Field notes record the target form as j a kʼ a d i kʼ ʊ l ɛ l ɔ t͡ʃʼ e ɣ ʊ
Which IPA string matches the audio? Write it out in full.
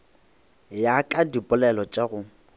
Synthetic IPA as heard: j a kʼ a d i pʼ ʊ l ɛ l ɔ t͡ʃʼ a ɣ ʊ